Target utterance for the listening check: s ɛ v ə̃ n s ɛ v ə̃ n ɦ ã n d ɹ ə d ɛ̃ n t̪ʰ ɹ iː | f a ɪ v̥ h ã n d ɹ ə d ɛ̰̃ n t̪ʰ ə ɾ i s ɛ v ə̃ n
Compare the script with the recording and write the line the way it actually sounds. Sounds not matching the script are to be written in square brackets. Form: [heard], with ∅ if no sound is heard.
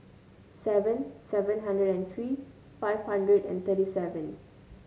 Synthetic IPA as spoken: s ɛ v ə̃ n s ɛ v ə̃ n ɦ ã n d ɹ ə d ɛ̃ n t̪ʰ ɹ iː | f a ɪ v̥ h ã n d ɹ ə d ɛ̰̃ n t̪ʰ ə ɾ i s ɛ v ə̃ n